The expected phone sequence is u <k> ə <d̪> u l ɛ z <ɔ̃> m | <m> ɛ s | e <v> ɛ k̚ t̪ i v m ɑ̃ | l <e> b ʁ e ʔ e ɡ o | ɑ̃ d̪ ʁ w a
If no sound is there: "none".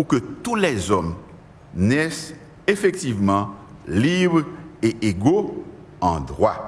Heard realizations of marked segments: k, t̪, ɔ, n, f, i

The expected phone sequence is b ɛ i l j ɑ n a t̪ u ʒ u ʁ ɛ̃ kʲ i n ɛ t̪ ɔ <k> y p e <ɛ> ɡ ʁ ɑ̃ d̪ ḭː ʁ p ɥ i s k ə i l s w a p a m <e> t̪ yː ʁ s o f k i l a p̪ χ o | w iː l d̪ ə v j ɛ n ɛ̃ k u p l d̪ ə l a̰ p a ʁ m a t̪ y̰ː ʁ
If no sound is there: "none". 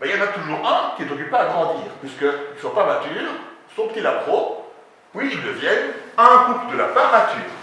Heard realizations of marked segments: k, a, a

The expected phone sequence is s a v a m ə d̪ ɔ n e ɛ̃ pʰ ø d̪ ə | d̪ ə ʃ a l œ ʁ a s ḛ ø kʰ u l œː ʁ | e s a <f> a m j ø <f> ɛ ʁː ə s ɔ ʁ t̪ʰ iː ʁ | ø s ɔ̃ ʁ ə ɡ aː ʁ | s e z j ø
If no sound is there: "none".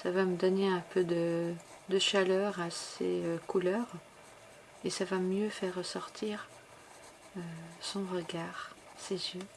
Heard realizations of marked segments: v, f

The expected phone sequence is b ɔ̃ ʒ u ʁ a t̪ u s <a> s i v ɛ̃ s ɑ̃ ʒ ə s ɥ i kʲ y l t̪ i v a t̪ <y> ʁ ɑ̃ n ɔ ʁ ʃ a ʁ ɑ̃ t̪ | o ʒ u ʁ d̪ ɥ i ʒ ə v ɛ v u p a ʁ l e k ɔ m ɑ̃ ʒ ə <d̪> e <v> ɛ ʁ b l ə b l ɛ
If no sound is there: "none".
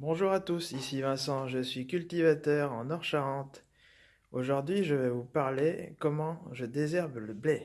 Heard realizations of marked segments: i, œ, d̪, z

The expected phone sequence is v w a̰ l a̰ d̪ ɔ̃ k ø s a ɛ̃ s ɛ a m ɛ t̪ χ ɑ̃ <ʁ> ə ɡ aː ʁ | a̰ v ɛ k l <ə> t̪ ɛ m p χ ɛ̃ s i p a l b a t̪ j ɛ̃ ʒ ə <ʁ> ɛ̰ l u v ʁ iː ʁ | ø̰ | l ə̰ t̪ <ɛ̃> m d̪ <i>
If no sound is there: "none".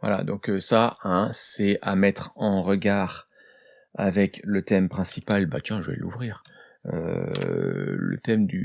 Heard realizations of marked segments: ʁ, ə, v, ɛ, y

